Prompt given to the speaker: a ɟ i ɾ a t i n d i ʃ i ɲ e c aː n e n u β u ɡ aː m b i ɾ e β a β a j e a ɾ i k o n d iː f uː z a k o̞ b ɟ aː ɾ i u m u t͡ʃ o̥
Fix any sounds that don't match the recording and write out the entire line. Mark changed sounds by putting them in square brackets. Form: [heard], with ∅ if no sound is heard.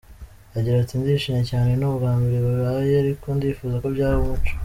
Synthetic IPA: a ɟ i ɾ a t i n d i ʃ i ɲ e c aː n e n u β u ɡ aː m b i ɾ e β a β a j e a ɾ i k o n d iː f uː z a k o̞ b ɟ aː ɾ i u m u t͡ʃ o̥